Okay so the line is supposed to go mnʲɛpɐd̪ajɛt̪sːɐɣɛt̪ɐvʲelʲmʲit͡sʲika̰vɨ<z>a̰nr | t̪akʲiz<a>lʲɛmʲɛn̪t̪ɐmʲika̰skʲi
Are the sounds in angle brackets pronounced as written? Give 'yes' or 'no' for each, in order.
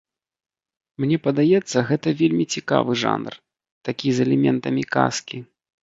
no, no

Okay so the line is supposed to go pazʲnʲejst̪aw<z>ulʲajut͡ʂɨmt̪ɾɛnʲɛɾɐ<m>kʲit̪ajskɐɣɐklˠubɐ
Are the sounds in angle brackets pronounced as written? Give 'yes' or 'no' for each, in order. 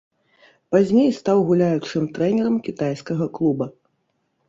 no, yes

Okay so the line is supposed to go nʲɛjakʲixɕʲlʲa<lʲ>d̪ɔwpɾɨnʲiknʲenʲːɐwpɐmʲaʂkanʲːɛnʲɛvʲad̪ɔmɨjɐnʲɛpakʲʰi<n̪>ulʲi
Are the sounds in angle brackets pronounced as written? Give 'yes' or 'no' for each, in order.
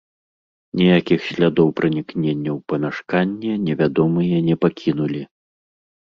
no, yes

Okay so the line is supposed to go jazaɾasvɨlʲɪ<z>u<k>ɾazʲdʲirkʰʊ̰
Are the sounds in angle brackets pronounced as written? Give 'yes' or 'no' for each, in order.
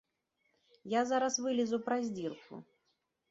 yes, no

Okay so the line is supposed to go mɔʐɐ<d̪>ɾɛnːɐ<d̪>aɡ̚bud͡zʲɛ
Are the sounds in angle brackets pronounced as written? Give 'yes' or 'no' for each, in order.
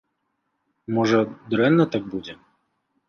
yes, no

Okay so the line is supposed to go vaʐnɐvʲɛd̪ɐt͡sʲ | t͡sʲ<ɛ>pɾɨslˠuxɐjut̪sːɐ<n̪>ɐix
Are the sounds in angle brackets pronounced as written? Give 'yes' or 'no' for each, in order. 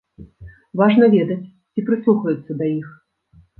no, no

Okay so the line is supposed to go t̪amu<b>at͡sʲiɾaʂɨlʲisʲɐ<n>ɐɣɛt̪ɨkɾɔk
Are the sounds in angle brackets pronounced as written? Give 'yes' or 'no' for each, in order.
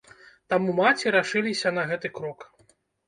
no, yes

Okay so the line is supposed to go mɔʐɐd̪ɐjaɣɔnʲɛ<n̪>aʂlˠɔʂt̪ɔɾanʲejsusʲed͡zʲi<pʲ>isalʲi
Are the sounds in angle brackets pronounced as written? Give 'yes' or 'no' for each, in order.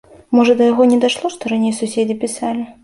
no, yes

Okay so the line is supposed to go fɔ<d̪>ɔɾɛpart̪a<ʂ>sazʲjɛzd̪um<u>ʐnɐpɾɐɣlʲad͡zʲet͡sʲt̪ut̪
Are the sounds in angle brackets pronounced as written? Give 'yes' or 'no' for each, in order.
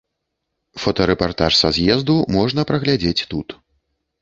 no, yes, no

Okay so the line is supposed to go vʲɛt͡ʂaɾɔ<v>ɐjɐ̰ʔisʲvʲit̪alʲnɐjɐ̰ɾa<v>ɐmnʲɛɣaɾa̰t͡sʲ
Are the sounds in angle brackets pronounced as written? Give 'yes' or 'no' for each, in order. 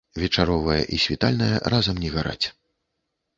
yes, no

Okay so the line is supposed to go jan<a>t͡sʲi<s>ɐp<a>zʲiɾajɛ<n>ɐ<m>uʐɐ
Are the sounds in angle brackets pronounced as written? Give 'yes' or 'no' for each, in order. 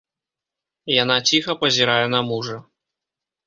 yes, no, no, yes, yes

